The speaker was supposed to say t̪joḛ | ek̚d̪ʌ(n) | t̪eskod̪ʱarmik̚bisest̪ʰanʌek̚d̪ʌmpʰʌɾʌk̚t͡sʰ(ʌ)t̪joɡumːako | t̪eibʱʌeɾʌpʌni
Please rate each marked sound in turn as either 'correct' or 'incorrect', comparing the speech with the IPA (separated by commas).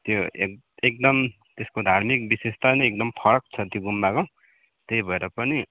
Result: incorrect, correct